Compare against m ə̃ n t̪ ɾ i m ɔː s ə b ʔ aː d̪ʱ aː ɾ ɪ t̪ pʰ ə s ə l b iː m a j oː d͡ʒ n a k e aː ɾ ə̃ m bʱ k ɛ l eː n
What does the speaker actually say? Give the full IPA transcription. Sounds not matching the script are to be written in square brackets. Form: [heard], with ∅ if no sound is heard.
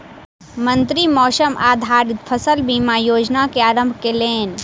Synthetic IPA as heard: m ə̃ n t̪ ɾ i m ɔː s ə [m] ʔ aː d̪ʱ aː ɾ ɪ t̪ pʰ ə s ə l b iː m a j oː d͡ʒ n a k e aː ɾ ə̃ m bʱ k [e] l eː n